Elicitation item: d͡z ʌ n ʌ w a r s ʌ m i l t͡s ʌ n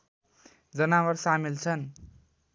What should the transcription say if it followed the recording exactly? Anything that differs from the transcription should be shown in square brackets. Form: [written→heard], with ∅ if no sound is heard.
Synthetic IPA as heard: d͡z ʌ n [ʌ→a] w [a→ʌ] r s [ʌ→a] m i l [t͡s→t͡sʰ] ʌ n